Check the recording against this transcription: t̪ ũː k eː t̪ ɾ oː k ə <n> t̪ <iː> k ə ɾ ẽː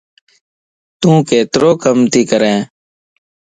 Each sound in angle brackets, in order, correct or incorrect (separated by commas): incorrect, correct